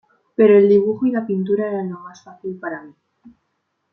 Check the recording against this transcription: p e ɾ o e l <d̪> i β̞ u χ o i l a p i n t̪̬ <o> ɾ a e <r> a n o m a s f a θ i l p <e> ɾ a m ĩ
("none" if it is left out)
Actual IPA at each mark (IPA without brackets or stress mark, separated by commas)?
d̪, u, ɾ, a